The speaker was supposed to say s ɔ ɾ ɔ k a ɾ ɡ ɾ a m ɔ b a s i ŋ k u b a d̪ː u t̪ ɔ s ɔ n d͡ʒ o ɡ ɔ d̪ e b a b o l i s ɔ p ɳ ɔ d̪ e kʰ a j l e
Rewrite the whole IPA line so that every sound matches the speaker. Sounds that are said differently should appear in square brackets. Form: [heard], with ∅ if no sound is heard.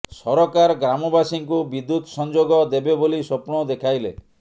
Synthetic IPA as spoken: s ɔ ɾ ɔ k a ɾ ɡ ɾ a m ɔ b a s i ŋ k u b [i] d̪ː u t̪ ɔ s ɔ n d͡ʒ o ɡ ɔ d̪ e b [e] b o l i s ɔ p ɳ ɔ d̪ e kʰ a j l e